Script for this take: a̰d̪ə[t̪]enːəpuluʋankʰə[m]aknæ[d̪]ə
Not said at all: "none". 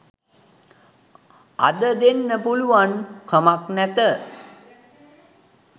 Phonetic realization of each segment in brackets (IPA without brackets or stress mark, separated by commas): d̪, m, t̪